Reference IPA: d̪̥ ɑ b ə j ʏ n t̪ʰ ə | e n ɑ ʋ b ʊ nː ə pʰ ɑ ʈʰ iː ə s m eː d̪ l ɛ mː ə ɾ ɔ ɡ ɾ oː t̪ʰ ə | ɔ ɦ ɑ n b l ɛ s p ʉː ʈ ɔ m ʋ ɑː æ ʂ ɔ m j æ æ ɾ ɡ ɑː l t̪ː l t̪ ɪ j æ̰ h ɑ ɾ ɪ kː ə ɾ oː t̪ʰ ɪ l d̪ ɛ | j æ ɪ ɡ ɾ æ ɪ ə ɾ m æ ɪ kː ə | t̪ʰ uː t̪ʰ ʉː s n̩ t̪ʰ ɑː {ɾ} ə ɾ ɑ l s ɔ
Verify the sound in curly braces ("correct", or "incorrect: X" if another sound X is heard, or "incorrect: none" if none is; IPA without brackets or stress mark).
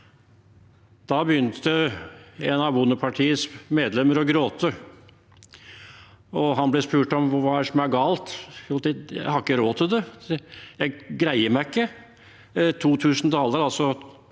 incorrect: l